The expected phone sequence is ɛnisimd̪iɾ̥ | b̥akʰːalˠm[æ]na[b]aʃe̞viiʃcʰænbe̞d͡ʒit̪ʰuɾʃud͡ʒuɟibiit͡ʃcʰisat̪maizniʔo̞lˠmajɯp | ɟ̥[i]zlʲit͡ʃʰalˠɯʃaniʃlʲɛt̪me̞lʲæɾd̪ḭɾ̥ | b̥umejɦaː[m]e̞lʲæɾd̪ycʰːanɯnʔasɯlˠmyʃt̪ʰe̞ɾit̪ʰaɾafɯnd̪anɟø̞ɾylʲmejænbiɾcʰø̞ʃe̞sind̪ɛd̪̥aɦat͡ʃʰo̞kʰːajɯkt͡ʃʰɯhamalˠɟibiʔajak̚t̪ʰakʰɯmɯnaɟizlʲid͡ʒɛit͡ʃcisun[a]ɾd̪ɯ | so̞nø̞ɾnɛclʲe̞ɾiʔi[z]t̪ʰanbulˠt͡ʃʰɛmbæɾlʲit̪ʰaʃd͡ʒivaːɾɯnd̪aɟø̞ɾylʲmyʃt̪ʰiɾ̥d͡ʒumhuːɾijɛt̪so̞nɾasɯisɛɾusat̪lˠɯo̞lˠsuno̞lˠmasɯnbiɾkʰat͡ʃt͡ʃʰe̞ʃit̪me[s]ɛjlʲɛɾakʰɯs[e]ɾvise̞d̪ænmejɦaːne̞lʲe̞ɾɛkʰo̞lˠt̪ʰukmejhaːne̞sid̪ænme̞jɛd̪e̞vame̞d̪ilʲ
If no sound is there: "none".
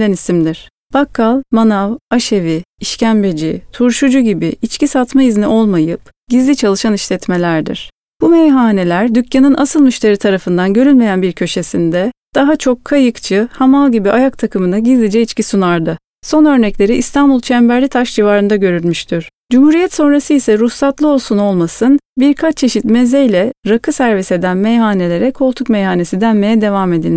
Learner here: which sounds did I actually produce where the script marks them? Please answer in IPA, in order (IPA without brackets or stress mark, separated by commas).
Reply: a, v, i, n, a, s, z, æ